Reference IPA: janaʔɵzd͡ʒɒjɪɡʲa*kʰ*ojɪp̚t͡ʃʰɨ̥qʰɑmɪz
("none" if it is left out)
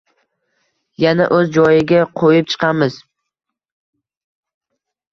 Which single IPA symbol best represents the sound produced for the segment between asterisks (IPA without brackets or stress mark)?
qʰ